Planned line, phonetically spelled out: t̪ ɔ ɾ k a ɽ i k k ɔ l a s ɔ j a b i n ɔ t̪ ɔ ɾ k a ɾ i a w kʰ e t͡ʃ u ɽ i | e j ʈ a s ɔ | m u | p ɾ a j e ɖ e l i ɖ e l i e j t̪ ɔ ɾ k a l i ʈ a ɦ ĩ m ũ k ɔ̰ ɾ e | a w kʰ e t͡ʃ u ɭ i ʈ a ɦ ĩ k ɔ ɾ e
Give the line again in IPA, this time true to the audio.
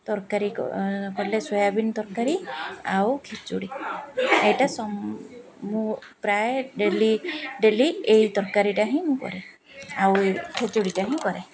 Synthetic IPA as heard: t̪ ɔ ɾ k a ɾ i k k ɔ l e s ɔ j a b i n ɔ t̪ ɔ ɾ k a ɾ i a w kʰ e t͡ʃ u ɽ i | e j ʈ a s ɔ | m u | p ɾ a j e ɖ e l i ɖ e l i e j t̪ ɔ ɾ k a ɾ i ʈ a ɦ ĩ m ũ k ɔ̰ ɾ e | a w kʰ e t͡ʃ u ɽ i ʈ a ɦ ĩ k ɔ ɾ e